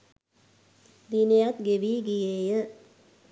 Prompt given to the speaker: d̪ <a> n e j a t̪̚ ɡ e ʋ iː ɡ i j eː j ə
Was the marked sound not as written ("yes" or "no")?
yes